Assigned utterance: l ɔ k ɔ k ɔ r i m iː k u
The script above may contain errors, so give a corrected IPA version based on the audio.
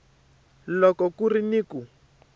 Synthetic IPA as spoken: l ɔ k ɔ k u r i n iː k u

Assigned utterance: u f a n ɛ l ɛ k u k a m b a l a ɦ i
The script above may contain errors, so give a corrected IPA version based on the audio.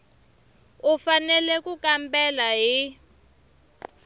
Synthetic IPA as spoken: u f a n ɛ l ɛ k u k a m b ɛ l a ɦ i

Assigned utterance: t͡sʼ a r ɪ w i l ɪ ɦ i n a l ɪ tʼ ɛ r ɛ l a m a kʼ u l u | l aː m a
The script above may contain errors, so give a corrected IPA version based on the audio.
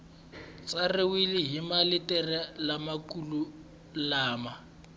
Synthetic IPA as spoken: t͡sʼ a r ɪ w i l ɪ ɦ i m a l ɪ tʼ ɛ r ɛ l a m a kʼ u l u | l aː m a

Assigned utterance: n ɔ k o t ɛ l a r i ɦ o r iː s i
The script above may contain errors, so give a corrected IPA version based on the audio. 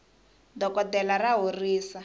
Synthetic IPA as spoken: d ɔ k ɔ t ɛ l a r a ɦ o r iː s a

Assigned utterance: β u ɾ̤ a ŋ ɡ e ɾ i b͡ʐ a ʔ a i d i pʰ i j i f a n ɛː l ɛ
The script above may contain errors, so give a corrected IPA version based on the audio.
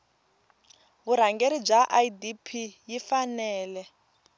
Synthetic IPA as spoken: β u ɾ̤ a ŋ ɡ e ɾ i b͡ʐ a ʔ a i d i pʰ i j i f a n ɛː l ɛ

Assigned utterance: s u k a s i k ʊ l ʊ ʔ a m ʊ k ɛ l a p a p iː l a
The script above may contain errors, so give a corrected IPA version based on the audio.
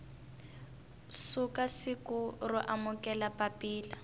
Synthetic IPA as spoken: s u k a s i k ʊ r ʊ ʔ a m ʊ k ɛ l a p a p iː l a

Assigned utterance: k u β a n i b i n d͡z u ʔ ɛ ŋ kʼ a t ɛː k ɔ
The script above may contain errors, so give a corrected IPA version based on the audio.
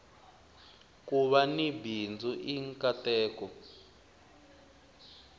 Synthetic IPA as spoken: k u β a n i b i n d͡z u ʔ i ŋ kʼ a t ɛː k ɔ

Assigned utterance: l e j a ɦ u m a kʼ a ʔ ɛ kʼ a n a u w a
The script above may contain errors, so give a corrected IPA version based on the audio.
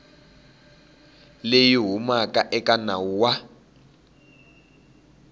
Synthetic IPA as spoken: l e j i ɦ u m a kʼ a ʔ ɛ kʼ a n a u w a

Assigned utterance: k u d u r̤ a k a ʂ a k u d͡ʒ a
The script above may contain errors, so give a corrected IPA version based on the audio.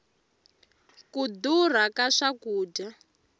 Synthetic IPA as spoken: k u d u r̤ a k a ʂ a k uː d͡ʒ a

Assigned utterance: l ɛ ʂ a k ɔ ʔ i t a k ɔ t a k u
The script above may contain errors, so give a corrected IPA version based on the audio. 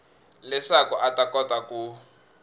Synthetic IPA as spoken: l ɛ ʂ a k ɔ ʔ a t a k ɔ t a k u

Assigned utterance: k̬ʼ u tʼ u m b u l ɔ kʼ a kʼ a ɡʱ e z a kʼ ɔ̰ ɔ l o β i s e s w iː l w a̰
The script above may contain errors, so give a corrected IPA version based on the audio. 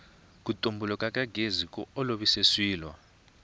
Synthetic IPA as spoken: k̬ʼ u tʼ o m b u l ɔ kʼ a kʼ a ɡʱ e z i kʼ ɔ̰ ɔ l o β i s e s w iː l w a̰

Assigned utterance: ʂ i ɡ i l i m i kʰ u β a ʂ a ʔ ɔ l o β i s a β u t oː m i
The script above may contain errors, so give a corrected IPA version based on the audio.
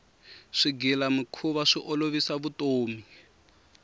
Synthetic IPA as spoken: ʂ i ɡ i l a m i kʰ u β a ʂ i ʔ ɔ l o β i s a β u t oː m i

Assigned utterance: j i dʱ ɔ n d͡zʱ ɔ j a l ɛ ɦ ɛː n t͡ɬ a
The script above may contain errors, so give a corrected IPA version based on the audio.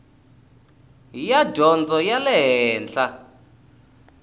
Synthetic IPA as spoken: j a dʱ ɔ n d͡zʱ ɔ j a l ɛ ɦ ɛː n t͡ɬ a

